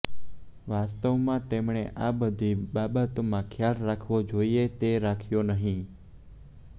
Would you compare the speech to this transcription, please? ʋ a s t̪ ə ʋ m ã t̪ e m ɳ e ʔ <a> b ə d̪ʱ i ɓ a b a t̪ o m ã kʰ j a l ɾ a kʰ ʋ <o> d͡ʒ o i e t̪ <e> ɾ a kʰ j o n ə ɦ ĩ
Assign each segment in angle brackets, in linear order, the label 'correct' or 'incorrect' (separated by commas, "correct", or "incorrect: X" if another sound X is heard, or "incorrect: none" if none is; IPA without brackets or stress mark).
correct, correct, correct